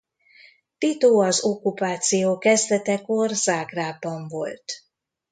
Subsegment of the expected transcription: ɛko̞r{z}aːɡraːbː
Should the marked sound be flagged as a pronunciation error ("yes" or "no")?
no